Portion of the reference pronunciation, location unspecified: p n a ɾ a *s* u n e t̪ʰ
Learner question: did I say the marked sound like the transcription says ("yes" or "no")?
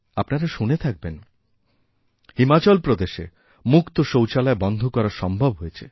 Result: no